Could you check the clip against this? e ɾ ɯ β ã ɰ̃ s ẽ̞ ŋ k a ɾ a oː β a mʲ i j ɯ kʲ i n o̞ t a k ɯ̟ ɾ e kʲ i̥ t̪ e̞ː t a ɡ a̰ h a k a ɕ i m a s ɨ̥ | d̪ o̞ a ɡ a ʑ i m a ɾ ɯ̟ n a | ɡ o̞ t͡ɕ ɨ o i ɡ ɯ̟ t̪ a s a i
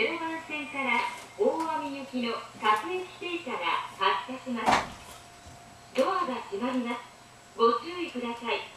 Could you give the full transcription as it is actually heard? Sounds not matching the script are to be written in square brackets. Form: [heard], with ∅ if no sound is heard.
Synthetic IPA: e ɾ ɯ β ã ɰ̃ s ẽ̞ ŋ k a ɾ a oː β a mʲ i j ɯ kʲ i n o̞ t a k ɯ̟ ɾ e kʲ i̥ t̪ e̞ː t a ɡ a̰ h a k a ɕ i m a s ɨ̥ | d̪ o̞ a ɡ a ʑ i m a ɾ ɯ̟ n a | ɡ o̞ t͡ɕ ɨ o i [k] ɯ̟ [d̪] a s a i

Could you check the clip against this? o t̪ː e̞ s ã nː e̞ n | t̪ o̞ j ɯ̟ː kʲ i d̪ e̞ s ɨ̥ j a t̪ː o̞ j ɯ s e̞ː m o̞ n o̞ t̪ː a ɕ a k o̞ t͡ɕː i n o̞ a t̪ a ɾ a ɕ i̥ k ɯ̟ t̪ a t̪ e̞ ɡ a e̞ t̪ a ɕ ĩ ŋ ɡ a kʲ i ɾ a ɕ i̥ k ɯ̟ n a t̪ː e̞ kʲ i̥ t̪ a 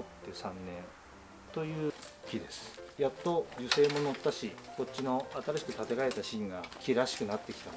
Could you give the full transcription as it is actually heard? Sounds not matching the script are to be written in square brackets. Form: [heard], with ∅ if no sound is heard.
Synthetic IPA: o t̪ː e̞ s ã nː [ẽ̞] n | t̪ o̞ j ɯ̟ː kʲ i d̪ e̞ s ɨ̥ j a t̪ː o̞ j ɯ s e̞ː m o̞ n o̞ t̪ː a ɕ [i] k o̞ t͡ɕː i n o̞ a t̪ a ɾ a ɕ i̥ k ɯ̟ t̪ a t̪ e̞ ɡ a e̞ t̪ a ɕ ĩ ŋ ɡ a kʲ i ɾ a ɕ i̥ k ɯ̟ n a t̪ː e̞ kʲ i̥ t̪ a

